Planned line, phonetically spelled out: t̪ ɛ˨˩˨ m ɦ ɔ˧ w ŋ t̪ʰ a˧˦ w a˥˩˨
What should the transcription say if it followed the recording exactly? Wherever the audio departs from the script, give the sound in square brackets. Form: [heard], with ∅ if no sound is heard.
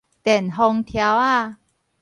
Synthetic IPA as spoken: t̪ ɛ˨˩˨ [n] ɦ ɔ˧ [∅] ŋ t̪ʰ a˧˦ w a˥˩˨